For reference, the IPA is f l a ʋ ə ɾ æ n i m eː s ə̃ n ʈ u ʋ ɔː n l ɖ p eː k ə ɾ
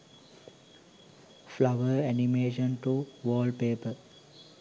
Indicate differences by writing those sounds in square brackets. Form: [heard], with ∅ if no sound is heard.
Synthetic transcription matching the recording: f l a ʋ ə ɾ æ n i m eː [ʃ] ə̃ n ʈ u ʋ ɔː [∅] l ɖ p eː [p] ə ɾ